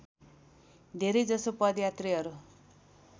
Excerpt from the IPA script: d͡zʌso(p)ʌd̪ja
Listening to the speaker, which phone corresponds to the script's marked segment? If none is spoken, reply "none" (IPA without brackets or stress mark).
p